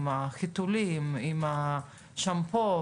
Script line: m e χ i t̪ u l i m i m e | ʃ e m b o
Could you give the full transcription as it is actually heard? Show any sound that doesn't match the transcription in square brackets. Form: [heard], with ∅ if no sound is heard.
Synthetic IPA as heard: m [a] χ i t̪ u l i m i m [a] | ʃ [a] m [p] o